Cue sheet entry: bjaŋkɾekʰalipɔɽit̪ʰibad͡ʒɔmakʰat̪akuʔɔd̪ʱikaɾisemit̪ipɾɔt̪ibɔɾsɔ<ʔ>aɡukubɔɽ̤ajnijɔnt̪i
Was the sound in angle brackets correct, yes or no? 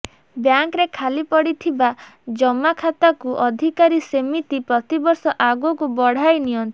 yes